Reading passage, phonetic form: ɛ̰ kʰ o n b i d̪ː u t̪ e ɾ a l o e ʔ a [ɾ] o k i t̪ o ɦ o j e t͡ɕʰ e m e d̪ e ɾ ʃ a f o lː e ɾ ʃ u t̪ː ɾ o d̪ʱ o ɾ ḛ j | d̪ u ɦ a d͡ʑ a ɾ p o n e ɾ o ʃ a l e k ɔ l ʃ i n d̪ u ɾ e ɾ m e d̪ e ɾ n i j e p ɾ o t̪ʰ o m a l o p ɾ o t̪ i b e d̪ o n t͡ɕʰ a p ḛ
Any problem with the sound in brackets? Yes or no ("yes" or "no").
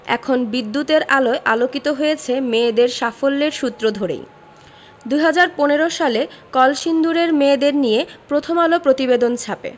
yes